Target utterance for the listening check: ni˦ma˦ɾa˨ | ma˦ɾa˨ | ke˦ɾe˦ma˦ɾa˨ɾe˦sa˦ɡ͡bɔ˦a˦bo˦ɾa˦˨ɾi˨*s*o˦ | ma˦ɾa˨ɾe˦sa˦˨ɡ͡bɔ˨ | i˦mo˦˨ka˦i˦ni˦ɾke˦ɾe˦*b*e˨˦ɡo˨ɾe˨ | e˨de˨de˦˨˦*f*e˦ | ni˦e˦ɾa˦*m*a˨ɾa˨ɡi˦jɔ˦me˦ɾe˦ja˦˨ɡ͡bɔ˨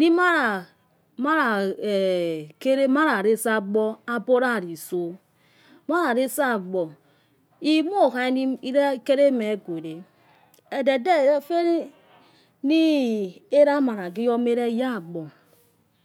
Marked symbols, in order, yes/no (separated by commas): yes, no, yes, yes